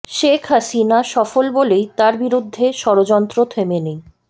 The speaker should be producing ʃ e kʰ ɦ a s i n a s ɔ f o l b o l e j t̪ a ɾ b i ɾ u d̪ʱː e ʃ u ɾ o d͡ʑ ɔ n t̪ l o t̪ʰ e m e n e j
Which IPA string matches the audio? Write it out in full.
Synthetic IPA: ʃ e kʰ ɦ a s i n a ʃ ɔ f o l b o l e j t̪ a ɾ b i ɾ u d̪ʱː e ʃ ɔ ɾ o d͡ʑ ɔ n t̪ ɾ o t̪ʰ e m e n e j